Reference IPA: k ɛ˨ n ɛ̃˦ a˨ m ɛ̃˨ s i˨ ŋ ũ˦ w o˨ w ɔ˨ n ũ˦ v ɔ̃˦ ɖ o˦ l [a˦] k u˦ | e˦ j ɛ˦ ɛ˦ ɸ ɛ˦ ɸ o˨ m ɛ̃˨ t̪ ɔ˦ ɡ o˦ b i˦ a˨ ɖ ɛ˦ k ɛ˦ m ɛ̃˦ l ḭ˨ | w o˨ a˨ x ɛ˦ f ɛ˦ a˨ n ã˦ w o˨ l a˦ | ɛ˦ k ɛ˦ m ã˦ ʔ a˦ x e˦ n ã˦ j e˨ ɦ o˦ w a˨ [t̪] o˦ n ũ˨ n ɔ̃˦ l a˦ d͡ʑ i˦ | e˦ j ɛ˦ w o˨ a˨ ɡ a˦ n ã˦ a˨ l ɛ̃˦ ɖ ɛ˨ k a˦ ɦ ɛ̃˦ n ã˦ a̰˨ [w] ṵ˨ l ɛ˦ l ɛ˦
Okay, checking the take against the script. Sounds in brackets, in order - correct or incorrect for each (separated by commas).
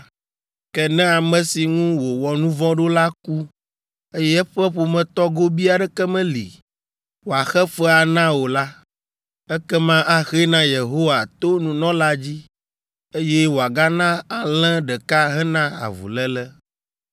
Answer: correct, correct, incorrect